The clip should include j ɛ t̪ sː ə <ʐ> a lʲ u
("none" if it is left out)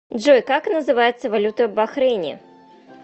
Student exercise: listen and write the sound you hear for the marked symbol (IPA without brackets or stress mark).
v